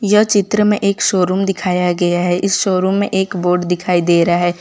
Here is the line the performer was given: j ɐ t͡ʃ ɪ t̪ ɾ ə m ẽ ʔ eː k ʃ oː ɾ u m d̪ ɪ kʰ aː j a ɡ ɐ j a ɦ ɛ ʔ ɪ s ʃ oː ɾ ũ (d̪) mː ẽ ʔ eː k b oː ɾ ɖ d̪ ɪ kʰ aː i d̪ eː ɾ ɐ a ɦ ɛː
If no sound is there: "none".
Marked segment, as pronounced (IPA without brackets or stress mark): none